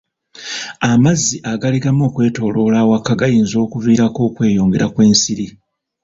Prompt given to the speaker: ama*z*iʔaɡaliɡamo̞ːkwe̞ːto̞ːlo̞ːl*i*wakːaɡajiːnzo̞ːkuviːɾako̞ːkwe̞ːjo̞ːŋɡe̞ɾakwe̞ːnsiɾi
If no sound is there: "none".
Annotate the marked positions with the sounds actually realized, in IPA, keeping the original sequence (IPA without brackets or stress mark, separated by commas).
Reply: zː, a